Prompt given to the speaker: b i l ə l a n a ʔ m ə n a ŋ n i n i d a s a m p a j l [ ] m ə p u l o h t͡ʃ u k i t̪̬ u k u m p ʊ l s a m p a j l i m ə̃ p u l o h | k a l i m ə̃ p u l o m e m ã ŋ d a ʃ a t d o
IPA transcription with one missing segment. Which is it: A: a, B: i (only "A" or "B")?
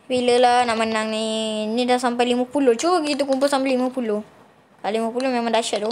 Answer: B